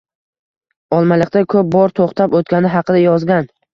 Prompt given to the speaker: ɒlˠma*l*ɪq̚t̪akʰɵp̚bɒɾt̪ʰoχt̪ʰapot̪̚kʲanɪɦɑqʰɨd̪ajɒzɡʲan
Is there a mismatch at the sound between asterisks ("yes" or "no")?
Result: no